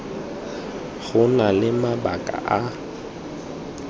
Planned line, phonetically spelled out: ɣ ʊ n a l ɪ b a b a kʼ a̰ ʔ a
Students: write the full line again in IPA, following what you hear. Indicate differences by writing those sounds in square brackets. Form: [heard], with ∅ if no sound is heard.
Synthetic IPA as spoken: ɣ ʊ n a l ɪ [m] a b a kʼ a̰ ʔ a